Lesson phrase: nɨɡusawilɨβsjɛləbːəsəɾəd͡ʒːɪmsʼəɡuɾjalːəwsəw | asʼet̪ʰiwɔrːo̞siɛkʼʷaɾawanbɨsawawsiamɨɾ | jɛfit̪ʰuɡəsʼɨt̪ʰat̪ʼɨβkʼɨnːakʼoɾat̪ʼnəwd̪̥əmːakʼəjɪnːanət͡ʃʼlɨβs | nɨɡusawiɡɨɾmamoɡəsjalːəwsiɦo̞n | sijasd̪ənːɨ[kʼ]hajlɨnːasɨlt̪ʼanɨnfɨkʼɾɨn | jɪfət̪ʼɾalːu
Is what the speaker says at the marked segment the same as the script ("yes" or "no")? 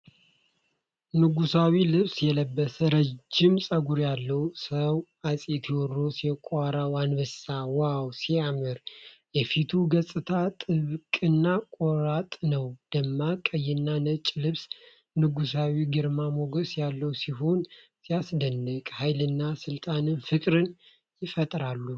yes